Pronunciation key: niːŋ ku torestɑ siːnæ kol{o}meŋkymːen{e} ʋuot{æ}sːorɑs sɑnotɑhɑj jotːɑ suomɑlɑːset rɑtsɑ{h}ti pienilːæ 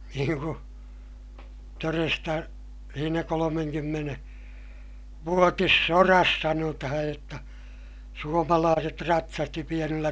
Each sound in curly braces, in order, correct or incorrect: correct, correct, incorrect, incorrect

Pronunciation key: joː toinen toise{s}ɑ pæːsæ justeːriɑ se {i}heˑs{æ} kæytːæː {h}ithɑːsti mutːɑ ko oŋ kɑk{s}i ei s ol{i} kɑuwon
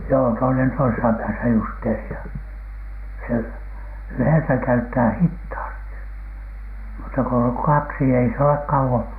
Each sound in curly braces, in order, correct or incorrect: correct, incorrect, correct, correct, correct, incorrect

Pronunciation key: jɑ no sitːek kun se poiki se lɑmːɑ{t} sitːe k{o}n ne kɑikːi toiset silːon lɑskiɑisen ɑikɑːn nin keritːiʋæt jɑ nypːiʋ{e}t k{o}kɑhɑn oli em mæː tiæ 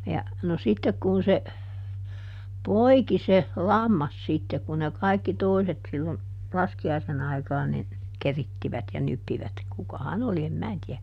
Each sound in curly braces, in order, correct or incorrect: incorrect, incorrect, incorrect, incorrect

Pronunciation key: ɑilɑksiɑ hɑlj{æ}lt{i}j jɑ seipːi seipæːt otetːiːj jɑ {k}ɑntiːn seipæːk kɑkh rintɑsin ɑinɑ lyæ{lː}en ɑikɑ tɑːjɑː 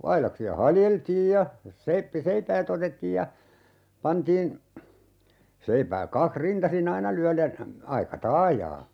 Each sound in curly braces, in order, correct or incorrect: incorrect, incorrect, incorrect, incorrect

